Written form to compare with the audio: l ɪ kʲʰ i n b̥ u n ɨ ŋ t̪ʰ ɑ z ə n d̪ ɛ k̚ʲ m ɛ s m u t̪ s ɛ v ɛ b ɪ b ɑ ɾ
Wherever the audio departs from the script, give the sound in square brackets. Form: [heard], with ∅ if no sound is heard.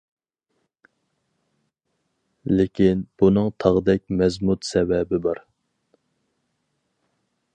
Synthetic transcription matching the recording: l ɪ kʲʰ i n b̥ u n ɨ ŋ t̪ʰ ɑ [ʁ] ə [∅] d̪ ɛ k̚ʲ m ɛ [z] m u t̪ s ɛ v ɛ b ɪ b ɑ ɾ